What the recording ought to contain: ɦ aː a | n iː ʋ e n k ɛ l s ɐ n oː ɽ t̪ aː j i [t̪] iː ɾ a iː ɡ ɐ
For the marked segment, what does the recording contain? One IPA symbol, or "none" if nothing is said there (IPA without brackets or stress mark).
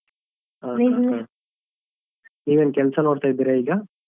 d̪